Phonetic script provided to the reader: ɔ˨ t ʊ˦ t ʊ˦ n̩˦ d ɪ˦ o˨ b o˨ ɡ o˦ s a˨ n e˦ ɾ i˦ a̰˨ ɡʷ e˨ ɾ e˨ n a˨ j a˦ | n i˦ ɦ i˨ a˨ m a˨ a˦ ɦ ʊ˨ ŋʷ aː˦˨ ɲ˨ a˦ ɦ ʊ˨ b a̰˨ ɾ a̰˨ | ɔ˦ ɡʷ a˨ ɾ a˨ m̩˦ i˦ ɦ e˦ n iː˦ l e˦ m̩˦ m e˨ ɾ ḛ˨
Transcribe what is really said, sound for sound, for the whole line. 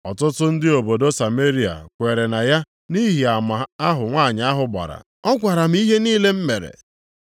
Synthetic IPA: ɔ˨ t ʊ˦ t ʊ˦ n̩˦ d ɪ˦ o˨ b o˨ d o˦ s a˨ m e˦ ɾ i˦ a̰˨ kʷ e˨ ɾ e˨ n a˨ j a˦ | n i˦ ɦ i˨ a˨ m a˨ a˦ ɦ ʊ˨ ŋʷ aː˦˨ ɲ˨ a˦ ɦ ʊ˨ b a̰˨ ɾ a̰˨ | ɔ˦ ɡʷ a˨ ɾ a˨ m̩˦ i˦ ɦ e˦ n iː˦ l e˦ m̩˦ m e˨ ɾ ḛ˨